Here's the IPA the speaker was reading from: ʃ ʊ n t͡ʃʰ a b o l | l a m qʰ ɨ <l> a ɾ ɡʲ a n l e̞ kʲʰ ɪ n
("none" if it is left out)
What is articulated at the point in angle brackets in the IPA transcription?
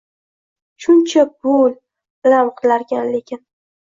l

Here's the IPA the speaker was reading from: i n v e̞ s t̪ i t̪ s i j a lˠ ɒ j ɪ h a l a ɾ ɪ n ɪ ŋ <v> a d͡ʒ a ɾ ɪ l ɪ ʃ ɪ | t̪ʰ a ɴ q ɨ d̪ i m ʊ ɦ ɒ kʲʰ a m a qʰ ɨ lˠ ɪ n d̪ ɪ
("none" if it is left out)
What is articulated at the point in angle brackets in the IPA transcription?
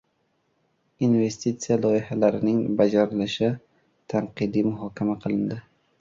b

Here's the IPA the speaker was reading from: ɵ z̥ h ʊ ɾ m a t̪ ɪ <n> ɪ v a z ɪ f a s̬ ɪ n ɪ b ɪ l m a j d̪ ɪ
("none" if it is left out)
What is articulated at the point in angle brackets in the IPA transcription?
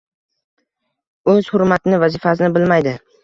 n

